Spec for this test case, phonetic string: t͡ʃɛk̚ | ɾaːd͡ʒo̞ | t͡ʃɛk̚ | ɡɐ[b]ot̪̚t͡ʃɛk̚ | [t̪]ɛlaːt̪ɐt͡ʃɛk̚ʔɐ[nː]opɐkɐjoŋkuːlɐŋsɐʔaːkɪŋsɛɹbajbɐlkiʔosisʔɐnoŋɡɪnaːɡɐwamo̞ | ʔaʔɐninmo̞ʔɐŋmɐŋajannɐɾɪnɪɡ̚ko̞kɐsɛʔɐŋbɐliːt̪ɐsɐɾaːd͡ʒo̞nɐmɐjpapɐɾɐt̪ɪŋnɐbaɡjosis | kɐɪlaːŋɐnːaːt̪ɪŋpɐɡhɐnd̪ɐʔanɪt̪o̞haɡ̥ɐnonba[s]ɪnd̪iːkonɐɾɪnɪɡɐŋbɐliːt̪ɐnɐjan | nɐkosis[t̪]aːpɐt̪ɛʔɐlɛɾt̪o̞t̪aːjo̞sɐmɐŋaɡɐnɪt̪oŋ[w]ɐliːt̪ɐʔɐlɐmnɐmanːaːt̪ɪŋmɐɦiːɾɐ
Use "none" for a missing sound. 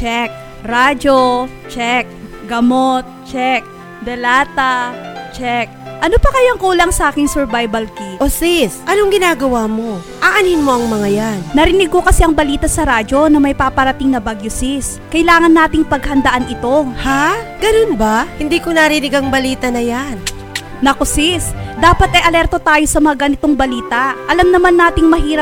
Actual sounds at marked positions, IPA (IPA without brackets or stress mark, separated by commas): m, d̪, n, h, d̪, b